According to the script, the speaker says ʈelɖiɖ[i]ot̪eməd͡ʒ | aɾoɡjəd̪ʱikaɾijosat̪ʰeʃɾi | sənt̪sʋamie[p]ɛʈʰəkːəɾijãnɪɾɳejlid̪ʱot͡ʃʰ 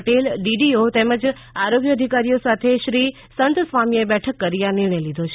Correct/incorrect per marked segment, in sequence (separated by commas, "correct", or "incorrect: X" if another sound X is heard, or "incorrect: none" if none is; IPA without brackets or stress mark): correct, incorrect: b